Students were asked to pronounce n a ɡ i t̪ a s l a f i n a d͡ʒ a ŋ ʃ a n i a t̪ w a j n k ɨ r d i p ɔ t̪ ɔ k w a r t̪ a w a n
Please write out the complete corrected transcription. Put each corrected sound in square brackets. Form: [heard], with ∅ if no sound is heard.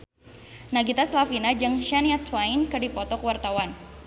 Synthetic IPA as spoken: n a ɡ i t̪ a s l a f i n a d͡ʒ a ŋ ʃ a n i a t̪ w a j n k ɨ r d i p ɔ t̪ ɔ k w a r t̪ a w a n